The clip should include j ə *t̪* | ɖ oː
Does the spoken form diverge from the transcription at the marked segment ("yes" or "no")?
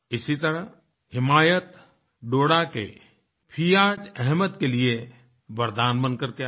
no